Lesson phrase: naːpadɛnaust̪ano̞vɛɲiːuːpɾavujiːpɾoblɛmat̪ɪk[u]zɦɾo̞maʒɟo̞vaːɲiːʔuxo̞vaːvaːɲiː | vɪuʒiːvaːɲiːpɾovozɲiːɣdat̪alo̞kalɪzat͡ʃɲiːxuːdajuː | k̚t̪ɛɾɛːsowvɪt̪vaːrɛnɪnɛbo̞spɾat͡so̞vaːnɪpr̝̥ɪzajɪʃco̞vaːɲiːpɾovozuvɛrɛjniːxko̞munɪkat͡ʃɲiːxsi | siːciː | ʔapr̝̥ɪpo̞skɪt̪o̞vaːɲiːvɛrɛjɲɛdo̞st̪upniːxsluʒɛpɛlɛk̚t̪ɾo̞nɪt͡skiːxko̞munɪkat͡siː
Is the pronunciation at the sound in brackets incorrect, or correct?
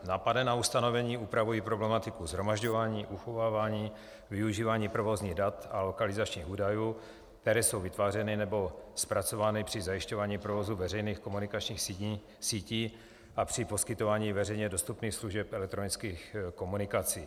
correct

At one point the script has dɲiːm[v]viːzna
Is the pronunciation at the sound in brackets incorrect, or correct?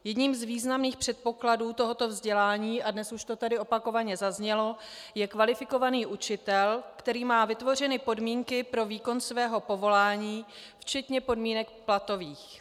incorrect: z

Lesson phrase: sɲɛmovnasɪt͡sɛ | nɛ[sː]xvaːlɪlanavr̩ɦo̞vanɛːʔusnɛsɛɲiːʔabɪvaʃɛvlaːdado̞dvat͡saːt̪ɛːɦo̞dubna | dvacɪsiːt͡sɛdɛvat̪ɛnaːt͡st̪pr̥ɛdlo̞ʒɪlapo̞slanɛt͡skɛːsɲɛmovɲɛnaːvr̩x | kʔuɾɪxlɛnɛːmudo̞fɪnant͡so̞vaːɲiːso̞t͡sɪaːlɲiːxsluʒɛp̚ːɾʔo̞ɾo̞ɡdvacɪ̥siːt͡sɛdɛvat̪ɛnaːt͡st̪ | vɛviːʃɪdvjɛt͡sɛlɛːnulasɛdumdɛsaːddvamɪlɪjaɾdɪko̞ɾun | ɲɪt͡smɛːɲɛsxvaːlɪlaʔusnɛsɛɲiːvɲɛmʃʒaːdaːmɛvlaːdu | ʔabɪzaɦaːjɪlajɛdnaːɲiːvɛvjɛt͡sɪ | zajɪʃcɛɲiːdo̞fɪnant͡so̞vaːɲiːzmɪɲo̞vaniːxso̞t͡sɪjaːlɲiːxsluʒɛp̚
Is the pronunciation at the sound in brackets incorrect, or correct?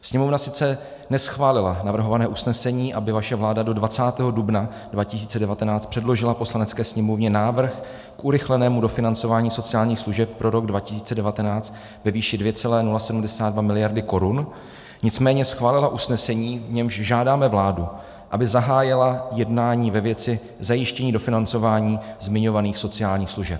incorrect: s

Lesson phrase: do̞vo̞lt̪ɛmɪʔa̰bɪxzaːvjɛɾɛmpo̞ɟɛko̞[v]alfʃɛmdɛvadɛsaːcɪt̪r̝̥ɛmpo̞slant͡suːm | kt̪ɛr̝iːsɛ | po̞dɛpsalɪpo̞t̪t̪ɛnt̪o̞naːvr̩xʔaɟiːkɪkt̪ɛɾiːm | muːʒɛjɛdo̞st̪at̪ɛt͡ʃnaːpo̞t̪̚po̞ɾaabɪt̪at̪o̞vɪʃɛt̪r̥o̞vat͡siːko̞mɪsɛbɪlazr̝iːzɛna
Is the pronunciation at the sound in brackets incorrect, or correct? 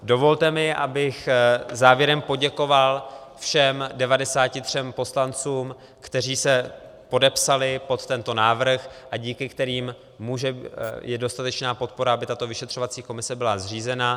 correct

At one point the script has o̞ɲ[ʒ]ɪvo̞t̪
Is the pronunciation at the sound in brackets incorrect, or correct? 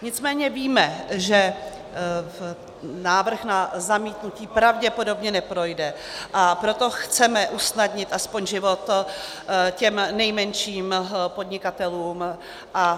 correct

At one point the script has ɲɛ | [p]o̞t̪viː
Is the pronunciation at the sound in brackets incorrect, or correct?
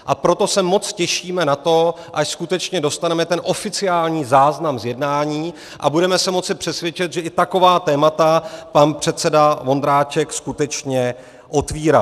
incorrect: ʔ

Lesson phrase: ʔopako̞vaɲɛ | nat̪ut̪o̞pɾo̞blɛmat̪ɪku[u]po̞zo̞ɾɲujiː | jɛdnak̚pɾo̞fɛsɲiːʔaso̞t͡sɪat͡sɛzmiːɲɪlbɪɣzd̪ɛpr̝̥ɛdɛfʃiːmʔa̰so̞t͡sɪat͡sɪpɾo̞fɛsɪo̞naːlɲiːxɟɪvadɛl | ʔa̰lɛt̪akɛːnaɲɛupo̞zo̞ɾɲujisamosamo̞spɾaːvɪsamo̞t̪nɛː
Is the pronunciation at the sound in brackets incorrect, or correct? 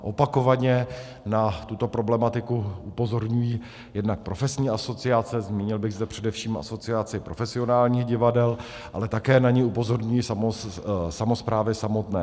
correct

